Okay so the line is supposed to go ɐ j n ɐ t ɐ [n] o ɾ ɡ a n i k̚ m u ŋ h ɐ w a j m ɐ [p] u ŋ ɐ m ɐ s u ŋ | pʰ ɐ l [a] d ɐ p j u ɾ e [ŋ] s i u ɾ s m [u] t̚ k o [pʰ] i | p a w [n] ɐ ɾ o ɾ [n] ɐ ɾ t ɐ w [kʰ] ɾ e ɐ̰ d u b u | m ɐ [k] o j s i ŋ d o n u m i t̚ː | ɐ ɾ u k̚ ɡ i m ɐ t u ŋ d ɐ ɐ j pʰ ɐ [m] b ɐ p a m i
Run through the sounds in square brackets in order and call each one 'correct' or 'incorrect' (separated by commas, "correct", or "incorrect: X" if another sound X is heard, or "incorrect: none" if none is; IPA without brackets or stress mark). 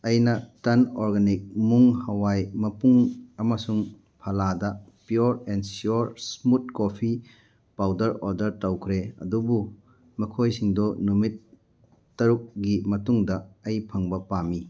correct, correct, correct, incorrect: n, correct, correct, incorrect: d, incorrect: d, correct, incorrect: kʰ, incorrect: ŋ